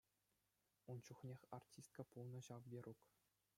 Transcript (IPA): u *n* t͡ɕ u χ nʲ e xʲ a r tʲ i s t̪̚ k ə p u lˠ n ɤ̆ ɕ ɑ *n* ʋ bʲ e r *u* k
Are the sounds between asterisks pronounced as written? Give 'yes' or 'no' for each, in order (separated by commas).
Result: yes, no, yes